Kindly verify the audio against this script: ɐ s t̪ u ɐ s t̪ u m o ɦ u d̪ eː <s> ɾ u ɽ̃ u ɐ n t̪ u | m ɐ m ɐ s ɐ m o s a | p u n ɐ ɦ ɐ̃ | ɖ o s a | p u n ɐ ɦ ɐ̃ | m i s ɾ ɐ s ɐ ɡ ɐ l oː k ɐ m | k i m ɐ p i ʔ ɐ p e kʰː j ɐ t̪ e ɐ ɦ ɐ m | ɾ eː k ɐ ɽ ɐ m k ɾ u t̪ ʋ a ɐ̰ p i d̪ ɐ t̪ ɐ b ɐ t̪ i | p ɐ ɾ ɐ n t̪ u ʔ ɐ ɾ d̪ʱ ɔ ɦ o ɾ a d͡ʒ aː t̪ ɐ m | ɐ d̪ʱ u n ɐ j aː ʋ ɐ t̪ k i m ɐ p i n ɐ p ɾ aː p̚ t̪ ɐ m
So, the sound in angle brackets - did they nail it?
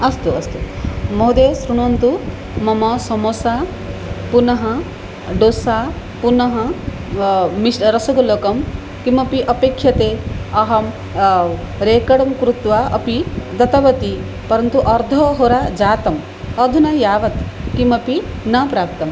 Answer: yes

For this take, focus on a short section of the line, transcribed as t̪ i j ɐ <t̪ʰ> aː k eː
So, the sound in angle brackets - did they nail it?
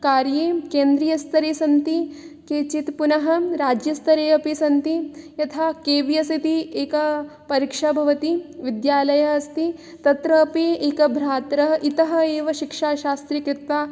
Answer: yes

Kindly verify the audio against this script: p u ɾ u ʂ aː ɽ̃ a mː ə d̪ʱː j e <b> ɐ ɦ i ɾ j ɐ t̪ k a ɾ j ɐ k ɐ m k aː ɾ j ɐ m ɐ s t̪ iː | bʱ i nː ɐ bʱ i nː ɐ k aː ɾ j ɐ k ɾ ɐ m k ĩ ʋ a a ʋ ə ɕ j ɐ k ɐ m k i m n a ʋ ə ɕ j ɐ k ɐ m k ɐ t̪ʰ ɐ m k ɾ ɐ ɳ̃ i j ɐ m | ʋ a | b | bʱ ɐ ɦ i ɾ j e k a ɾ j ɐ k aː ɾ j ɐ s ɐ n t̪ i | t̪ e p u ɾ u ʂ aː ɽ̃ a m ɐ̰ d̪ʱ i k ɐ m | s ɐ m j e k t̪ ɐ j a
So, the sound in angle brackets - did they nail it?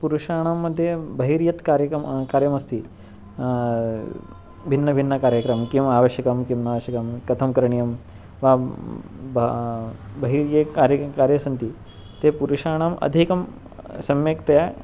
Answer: yes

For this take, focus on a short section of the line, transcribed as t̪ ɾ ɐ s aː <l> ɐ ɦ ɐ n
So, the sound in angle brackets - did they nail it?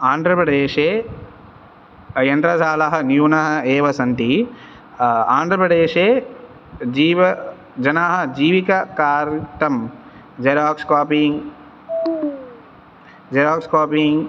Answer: yes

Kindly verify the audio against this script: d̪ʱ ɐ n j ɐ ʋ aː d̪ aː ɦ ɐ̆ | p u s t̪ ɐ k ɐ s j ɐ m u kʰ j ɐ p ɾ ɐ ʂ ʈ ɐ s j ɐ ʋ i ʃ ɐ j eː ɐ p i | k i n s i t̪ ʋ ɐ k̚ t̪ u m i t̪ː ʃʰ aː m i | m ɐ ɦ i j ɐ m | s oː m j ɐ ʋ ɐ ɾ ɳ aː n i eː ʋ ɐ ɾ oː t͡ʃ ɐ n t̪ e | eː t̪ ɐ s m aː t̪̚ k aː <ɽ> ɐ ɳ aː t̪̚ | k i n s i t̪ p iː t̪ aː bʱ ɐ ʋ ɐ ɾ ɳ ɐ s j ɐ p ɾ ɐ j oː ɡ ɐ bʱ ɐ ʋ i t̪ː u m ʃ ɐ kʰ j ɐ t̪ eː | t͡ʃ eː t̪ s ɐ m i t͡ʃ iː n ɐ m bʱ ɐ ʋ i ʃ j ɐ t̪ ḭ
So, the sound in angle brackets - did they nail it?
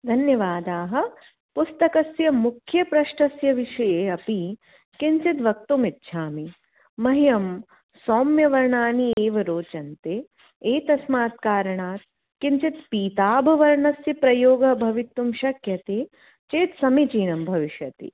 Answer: no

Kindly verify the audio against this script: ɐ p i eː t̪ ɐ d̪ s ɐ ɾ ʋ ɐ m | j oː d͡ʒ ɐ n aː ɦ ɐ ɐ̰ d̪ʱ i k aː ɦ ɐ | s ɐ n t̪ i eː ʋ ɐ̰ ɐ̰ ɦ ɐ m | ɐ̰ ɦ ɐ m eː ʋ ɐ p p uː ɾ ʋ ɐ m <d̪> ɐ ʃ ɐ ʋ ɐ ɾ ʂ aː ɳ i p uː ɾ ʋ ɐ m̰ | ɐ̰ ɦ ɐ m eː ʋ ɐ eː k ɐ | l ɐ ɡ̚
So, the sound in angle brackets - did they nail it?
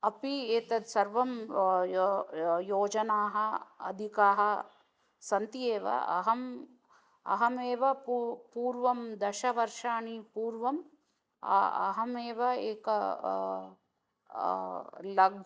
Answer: yes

